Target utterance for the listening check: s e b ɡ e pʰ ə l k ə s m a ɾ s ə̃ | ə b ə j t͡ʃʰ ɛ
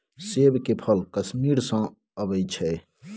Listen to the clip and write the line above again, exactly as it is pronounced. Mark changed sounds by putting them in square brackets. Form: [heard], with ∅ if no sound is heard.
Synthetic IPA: s e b [k] e pʰ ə l k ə s m [i] ɾ s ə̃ | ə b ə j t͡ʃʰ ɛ